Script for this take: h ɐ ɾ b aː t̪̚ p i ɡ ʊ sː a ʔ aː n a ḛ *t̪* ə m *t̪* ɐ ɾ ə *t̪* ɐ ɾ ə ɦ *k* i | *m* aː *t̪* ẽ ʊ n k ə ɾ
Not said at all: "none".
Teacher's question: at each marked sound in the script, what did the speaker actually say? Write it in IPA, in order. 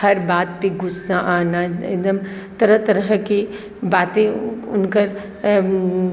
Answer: d̪, t̪, t̪, k, b, t̪

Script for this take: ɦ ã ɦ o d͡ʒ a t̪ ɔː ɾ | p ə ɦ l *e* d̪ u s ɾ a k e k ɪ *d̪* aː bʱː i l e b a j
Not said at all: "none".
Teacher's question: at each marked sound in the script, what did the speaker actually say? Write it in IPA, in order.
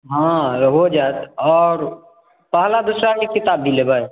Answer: a, t̪

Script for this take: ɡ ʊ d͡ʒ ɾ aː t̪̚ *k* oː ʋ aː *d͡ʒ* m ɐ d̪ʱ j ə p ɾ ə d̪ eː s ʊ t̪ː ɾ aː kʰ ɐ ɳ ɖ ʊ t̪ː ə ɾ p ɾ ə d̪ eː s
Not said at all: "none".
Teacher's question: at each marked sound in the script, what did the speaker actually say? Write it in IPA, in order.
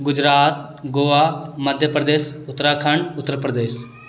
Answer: ɡ, none

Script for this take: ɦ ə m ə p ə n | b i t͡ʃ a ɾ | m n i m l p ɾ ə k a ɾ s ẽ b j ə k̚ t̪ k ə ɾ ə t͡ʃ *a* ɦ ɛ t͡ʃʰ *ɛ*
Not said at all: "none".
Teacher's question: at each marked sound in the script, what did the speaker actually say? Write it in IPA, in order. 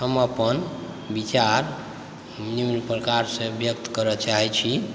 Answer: a, i

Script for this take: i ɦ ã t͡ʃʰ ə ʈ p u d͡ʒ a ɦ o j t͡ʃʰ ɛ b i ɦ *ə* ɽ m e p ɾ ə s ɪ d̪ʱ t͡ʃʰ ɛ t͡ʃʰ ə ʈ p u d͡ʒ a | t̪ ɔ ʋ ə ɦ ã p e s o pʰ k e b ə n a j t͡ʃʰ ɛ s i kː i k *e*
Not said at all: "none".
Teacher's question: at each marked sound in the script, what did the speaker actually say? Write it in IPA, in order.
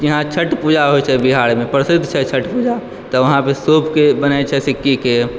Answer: a, e

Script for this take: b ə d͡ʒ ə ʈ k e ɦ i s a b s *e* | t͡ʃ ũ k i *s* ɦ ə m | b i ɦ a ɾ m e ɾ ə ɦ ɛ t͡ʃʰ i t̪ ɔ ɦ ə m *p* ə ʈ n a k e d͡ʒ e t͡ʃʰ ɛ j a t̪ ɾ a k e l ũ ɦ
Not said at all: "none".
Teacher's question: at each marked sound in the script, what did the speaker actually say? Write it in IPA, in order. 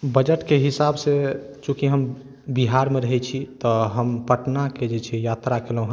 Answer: e, none, p

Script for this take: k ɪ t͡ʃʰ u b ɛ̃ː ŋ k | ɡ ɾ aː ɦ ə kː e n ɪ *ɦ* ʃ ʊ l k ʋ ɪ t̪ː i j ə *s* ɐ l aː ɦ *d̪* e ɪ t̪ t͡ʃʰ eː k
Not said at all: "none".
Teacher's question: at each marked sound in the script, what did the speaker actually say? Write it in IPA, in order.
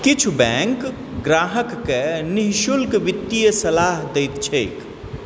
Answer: ɦ, s, d̪

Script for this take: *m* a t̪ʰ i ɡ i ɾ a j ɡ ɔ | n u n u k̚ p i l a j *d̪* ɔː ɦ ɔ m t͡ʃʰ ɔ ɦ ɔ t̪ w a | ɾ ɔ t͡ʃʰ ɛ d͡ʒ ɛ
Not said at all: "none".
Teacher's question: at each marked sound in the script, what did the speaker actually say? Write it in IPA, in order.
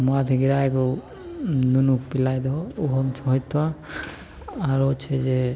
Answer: m, d̪

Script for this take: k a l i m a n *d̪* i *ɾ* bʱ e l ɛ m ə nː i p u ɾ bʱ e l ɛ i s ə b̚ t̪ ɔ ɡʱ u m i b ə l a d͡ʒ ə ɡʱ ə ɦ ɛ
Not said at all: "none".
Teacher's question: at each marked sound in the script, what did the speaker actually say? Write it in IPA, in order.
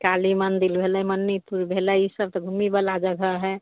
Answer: d̪, l

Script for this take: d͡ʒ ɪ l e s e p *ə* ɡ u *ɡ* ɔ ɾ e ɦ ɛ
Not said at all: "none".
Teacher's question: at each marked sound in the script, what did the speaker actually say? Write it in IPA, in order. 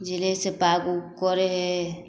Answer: a, k

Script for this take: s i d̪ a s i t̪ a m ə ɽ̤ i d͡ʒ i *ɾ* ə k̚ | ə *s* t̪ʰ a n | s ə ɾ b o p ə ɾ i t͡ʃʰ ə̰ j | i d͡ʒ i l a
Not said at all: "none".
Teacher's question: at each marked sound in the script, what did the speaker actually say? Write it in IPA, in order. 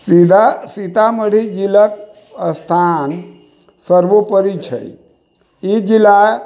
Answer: l, s

